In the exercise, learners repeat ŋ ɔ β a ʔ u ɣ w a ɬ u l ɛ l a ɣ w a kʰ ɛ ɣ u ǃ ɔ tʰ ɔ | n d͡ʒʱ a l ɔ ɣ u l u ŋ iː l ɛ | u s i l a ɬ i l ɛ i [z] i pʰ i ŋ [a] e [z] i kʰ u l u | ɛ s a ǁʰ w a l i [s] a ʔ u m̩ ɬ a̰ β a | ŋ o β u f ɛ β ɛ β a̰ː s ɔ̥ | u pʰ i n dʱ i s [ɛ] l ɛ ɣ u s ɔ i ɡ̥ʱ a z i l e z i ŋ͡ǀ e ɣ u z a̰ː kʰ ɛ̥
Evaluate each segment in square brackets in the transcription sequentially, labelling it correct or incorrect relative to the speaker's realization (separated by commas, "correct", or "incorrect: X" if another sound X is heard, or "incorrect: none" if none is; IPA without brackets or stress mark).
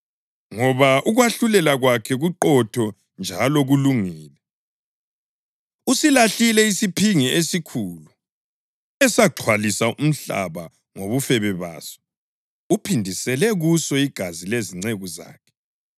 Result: incorrect: s, incorrect: i, incorrect: s, correct, correct